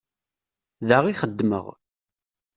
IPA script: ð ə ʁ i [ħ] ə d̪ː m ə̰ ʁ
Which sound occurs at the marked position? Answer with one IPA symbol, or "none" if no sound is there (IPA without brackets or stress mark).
χ